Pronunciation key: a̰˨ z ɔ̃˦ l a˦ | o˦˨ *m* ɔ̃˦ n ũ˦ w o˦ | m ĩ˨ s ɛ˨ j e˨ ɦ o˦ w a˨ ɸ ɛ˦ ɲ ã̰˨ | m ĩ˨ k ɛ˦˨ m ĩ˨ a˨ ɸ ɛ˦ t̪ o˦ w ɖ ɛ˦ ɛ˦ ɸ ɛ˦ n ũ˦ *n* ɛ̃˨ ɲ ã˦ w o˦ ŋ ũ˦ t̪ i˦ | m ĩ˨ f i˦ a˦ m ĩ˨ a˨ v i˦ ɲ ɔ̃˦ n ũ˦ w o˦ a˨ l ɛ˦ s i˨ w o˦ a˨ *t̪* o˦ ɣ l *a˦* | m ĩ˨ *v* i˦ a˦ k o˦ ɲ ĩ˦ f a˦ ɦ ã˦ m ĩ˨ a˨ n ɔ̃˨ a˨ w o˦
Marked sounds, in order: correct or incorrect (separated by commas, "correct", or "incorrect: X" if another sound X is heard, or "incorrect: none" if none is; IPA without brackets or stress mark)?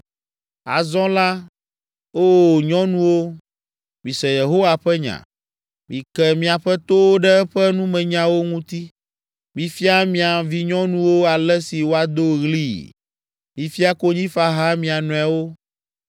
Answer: incorrect: ɲ, incorrect: m, incorrect: d̪, incorrect: i˦, incorrect: f